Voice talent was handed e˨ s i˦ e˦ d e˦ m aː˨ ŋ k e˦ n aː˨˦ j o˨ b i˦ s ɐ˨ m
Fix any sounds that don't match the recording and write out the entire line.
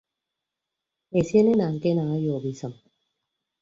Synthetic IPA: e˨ s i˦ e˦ n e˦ n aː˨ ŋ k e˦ n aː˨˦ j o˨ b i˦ s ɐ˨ m

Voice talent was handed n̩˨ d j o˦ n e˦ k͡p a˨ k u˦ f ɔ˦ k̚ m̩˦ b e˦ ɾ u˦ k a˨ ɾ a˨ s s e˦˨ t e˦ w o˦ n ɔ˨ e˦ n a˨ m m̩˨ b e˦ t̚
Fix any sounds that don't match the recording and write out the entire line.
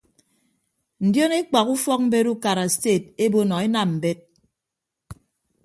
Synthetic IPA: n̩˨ d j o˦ n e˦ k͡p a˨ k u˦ f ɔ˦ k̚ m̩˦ b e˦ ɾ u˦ k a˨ ɾ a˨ s t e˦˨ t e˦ b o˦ n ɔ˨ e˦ n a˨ m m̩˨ b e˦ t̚

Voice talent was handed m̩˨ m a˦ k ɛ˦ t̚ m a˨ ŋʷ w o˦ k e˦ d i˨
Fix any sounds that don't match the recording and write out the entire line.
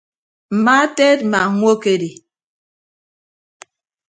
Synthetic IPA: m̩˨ m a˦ t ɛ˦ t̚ m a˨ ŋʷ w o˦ k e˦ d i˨

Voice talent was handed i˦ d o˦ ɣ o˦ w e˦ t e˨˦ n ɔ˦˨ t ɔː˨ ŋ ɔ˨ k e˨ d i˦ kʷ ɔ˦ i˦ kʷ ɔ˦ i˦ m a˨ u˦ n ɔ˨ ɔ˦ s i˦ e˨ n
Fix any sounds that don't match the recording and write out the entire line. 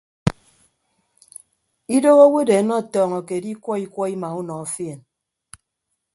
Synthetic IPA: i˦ d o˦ ɣ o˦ w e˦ d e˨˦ n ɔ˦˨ t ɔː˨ ŋ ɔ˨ k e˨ d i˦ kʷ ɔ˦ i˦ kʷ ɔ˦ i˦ m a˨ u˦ n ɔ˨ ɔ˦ f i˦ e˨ n

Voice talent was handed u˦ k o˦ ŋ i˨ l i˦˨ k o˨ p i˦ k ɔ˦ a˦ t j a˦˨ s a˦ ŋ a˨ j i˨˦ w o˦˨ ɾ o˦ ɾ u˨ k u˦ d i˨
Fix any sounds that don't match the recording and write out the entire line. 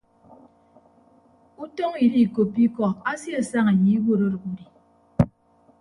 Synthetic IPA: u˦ t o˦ ŋ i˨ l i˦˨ k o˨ p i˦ k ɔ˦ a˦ s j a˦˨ s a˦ ŋ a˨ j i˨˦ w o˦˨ ɾ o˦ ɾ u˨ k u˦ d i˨

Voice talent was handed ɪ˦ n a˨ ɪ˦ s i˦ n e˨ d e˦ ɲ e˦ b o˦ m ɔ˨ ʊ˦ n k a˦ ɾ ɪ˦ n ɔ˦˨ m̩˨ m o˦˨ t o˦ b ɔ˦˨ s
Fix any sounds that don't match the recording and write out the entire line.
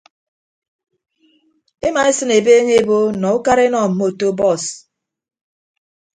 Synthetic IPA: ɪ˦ m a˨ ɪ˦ s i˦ n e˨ b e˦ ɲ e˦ b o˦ n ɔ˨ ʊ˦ k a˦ ɾ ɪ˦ n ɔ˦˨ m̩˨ m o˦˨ t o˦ b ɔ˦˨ s

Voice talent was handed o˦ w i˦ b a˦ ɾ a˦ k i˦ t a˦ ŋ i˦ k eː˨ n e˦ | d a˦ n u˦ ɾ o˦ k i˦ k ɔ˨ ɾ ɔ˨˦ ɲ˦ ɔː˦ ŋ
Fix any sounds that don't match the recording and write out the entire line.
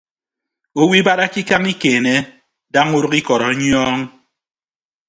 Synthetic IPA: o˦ w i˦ b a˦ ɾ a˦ k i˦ k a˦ ŋ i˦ k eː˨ n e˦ | d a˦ ŋ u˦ ɾ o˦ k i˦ k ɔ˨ ɾ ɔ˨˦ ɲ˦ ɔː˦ ŋ

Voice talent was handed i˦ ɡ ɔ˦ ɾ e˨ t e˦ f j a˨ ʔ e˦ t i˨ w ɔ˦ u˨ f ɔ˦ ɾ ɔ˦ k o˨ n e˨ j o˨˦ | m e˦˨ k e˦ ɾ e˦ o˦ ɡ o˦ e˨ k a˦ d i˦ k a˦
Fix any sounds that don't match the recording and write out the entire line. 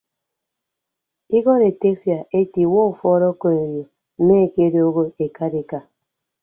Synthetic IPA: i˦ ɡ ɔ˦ ɾ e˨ t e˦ f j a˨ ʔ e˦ t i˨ w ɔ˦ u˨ f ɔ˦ ɾ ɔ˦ k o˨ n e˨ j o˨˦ | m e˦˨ k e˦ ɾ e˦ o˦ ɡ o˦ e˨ k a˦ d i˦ k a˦

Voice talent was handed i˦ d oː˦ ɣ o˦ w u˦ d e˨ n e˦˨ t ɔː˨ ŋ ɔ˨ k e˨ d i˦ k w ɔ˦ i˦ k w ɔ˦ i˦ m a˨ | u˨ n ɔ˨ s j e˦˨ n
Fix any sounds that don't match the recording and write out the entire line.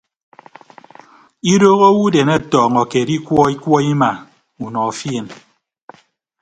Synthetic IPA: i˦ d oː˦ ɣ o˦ w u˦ d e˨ n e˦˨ t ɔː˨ ŋ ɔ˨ k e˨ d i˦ k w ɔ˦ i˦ k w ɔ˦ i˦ m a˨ | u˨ n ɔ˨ f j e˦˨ n

